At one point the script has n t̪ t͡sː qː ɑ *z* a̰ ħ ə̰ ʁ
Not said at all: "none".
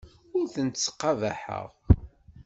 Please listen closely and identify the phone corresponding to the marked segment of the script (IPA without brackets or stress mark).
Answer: v